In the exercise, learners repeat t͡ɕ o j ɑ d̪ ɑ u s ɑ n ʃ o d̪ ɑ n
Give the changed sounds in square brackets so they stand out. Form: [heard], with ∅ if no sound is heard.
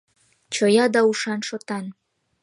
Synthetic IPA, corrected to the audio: t͡ɕ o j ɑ d̪ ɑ u [ʃ] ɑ n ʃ o [t̪] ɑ n

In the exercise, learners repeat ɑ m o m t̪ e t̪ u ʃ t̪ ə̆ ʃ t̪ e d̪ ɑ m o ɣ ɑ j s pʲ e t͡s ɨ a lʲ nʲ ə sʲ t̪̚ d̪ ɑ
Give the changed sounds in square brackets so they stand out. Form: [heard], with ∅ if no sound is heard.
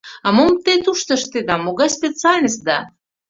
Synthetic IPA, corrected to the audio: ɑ m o m t̪ e t̪ u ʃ t̪ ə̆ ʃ t̪ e d̪ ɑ m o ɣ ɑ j s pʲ e t͡s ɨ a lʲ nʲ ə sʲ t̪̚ d̪ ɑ

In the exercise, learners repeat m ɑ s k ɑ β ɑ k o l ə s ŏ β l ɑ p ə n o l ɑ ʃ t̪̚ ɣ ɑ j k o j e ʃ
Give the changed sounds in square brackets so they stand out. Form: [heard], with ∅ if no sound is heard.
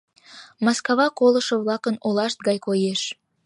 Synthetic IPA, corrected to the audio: m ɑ s k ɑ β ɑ k o l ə [ʃ] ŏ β l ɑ [k] ə n o l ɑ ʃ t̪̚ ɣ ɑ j k o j e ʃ

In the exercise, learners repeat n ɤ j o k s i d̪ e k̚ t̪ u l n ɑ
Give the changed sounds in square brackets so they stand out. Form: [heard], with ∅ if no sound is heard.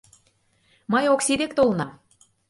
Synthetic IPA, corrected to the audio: [m] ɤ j o k s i d̪ e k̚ t̪ [o] l n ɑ

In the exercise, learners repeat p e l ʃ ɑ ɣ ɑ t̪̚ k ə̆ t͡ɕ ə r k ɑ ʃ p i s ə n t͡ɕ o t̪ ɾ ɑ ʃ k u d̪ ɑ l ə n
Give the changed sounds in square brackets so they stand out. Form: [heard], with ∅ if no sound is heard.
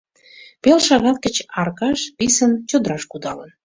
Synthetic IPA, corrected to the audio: p e l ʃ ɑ ɣ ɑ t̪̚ k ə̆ t͡ɕ [ɑ] r k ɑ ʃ p i s ə n t͡ɕ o [d̪] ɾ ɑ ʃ k u d̪ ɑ l ə n

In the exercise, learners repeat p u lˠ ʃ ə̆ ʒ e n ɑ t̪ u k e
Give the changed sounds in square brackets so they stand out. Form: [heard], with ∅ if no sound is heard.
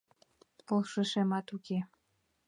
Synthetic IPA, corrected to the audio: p [o] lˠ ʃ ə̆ [ʃ] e [m] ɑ t̪ u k e

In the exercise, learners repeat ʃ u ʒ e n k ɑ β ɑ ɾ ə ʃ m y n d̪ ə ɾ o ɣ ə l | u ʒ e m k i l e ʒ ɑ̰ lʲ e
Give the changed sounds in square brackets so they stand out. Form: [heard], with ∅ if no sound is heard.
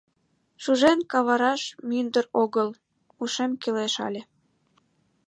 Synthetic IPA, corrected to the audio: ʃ u ʒ e n k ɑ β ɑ ɾ [ɑ] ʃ m y n d̪ ə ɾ o ɣ ə l | u [ʃ] e m k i l e [ʃ] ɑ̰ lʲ e

